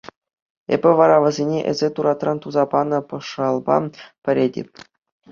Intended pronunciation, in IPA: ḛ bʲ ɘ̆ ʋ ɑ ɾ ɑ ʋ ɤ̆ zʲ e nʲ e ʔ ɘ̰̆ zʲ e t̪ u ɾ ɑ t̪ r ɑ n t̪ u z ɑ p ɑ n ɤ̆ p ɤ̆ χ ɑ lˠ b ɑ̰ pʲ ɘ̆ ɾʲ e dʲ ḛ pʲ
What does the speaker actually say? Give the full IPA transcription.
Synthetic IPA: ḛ bʲ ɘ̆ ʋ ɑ ɾ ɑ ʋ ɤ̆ zʲ e nʲ e ʔ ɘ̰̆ zʲ e t̪ u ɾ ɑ t̪ r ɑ n t̪ u z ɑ p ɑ n ɤ̆ p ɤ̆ ʂ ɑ lˠ b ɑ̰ pʲ ɘ̆ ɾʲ e dʲ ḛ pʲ